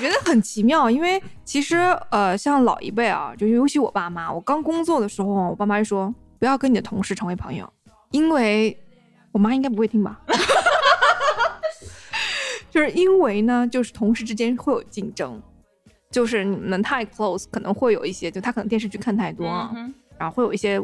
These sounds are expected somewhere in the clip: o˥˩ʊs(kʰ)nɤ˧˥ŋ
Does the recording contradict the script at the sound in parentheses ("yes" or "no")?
no